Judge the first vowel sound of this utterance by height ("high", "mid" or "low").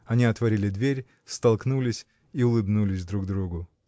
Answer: low